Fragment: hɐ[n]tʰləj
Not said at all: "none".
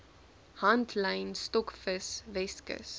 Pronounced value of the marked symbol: n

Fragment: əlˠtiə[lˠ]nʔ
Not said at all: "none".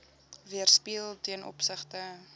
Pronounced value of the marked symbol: none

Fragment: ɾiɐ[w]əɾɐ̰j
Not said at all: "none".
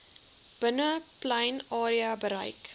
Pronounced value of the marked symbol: b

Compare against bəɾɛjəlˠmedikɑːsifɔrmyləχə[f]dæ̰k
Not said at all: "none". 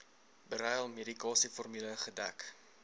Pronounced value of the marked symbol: none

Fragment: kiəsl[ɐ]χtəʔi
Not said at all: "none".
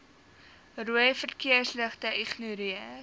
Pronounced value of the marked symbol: ə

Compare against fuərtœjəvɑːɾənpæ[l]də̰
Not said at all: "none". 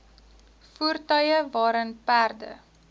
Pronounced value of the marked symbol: r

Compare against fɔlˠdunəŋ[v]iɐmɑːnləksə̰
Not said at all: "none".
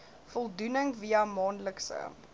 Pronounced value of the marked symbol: v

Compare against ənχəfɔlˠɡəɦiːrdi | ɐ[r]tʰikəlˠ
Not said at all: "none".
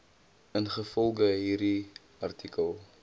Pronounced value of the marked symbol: r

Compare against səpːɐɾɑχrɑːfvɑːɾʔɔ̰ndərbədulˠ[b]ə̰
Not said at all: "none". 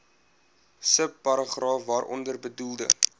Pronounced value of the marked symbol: d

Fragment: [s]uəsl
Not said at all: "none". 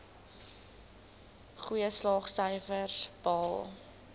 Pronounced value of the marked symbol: χ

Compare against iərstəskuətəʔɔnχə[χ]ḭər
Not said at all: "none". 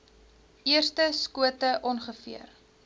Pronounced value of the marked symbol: f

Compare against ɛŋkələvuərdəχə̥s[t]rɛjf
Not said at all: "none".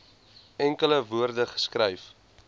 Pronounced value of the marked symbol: k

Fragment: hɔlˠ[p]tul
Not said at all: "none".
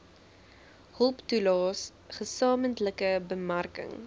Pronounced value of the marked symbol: p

